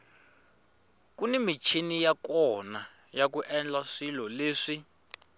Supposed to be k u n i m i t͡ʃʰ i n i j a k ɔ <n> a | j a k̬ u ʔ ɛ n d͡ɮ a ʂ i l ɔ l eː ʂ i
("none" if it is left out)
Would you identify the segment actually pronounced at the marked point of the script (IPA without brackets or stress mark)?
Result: n